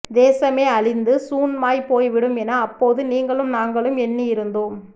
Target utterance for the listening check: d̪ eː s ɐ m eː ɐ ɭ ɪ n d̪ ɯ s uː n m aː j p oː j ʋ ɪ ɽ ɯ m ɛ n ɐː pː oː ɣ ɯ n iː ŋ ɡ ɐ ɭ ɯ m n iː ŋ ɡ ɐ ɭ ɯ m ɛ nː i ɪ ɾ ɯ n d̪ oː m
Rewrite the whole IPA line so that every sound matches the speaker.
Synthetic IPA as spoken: d̪ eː s ɐ m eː ɐ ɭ ɪ n d̪ ɯ s uː n m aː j p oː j ʋ ɪ ɽ ɯ m ɛ n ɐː pː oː ð ɯ n iː ŋ ɡ ɐ ɭ ɯ m n aː ŋ ɡ ɐ ɭ ɯ m ɛ nː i ɪ ɾ ɯ n d̪ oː m